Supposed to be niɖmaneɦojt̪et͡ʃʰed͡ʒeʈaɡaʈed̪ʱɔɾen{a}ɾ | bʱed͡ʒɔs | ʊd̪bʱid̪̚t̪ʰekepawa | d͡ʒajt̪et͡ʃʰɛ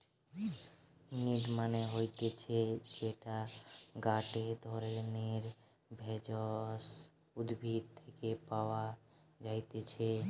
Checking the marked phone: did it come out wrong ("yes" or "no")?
yes